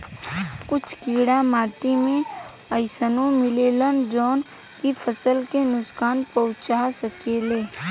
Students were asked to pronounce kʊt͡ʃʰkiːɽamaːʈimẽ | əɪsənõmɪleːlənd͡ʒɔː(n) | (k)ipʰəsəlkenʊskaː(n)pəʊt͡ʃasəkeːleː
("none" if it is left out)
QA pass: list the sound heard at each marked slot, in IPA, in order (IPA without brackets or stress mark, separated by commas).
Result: n, k, n